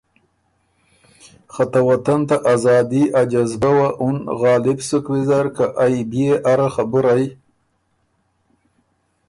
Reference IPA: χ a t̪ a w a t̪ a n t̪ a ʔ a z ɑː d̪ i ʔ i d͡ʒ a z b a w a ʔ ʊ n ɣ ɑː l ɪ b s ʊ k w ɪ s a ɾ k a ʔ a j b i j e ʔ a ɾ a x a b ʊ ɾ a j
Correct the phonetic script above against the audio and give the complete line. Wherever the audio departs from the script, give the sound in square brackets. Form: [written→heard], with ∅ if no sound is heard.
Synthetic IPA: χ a t̪ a w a t̪ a n t̪ a ʔ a z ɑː d̪ i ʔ [i→a] d͡ʒ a z b a w a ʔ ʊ n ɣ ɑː l ɪ b s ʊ k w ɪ [s→z] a ɾ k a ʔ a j b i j e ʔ a ɾ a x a b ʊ ɾ a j